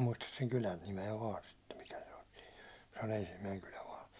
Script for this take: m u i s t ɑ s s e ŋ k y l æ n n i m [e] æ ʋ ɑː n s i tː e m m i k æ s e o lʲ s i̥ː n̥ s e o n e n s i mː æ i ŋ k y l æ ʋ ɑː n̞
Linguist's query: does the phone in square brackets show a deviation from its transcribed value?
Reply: no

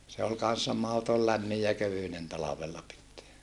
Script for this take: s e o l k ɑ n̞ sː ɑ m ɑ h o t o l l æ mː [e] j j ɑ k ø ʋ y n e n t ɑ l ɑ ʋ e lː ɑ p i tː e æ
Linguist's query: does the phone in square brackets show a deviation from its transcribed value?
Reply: yes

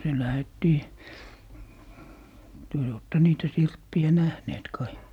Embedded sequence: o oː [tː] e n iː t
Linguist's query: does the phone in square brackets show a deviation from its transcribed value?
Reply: no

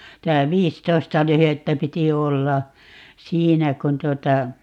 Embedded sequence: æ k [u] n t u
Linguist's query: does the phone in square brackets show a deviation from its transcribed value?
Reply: no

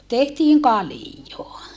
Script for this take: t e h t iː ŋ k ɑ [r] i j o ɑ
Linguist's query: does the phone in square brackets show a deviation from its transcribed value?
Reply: yes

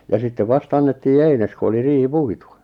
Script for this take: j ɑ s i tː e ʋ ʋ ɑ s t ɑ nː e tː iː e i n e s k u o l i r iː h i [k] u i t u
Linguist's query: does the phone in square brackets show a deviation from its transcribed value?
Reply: yes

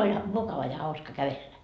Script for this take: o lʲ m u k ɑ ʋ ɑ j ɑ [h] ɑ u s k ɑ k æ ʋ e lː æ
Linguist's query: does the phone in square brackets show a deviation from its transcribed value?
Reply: no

